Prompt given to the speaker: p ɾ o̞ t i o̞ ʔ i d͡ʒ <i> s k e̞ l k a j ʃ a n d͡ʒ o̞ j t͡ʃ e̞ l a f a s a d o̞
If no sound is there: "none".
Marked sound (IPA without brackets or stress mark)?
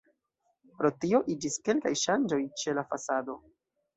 i